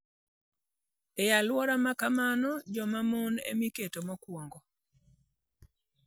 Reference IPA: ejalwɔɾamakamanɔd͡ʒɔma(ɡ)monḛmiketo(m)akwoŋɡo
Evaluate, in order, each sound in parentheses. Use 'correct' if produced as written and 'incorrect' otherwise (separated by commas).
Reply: incorrect, correct